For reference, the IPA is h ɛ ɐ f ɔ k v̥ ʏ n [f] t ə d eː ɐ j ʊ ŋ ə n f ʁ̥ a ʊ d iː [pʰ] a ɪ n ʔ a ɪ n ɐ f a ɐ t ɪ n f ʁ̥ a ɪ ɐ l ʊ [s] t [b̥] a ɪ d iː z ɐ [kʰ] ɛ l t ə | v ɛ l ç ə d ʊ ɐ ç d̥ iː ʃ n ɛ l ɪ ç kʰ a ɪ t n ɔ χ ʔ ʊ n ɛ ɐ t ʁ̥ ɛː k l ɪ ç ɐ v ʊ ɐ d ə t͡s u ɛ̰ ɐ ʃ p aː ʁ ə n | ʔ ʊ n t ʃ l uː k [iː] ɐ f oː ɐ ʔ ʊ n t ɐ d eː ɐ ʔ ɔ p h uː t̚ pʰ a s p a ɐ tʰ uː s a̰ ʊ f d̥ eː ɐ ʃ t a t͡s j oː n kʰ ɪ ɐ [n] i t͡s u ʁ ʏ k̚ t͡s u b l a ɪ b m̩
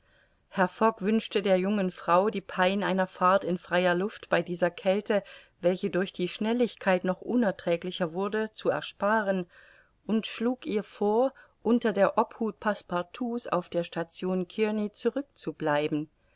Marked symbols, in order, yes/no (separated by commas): no, yes, no, yes, yes, yes, yes